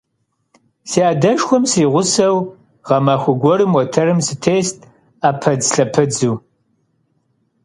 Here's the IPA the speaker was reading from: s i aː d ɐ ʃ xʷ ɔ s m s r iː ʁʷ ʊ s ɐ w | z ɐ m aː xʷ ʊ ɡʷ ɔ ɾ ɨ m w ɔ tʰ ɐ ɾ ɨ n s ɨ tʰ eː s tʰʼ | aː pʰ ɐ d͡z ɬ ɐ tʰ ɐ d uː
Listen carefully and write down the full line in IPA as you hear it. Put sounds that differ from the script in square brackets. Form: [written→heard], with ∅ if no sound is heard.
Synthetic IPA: s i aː d ɐ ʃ xʷ ɔ [s→∅] m s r iː ʁʷ ʊ s ɐ w | [z→ʁ] ɐ m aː xʷ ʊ ɡʷ ɔ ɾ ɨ m w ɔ tʰ ɐ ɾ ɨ [n→m] s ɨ tʰ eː s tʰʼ | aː pʰ ɐ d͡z ɬ ɐ [tʰ→pʰ] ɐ [d→d͡z] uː